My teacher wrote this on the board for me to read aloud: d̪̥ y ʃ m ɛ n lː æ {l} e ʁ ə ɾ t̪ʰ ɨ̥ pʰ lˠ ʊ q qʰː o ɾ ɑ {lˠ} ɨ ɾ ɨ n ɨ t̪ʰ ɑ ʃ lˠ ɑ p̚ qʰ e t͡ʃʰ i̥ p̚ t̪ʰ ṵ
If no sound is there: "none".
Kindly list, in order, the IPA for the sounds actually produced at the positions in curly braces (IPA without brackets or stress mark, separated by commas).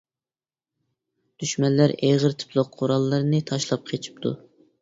ɾ, lˠː